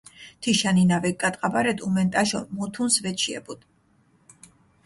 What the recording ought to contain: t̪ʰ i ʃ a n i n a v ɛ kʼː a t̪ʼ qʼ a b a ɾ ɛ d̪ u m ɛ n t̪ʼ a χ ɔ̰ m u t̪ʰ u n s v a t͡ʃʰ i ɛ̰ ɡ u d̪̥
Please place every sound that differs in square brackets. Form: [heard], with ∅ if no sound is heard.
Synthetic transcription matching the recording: t̪ʰ i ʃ a n i n a v ɛ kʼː a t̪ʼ qʼ a b a ɾ ɛ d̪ u m ɛ n t̪ʼ a [ʃ] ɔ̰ m u t̪ʰ u n s v [ɛ] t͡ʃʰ i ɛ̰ [b] u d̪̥